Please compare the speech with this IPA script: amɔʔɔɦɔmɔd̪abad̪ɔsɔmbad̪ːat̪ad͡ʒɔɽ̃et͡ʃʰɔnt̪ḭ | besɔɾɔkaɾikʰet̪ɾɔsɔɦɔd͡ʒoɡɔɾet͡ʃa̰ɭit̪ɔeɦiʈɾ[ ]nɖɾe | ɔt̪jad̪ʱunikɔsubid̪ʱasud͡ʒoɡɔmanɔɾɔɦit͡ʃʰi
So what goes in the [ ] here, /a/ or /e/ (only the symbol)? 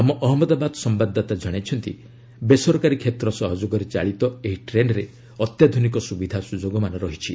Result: e